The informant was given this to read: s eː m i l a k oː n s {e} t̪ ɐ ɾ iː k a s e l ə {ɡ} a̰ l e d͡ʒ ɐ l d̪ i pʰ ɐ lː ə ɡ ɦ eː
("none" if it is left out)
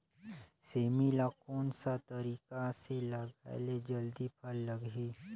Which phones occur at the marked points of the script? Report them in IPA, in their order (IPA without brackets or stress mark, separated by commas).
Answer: a, ɡ